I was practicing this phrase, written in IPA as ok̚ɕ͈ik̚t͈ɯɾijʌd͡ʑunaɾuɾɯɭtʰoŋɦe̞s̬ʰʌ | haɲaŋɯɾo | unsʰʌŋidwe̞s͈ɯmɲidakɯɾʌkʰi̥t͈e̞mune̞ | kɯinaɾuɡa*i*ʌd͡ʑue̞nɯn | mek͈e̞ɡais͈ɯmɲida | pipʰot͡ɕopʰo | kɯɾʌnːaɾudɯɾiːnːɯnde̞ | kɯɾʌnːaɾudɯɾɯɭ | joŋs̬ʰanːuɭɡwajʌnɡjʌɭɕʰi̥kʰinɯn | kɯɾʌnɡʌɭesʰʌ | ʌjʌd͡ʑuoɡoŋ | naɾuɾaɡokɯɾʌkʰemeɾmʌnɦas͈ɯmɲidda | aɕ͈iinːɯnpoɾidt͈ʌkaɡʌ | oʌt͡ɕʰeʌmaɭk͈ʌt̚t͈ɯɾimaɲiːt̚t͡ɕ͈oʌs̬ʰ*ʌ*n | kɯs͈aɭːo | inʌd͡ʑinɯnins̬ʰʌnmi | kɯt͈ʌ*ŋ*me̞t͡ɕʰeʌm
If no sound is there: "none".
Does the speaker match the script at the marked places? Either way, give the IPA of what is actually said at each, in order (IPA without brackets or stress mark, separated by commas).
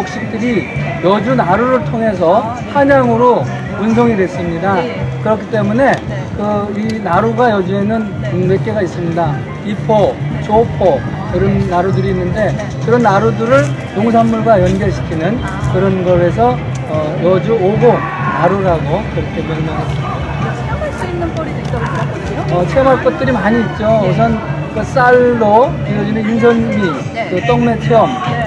j, ʌ, ŋ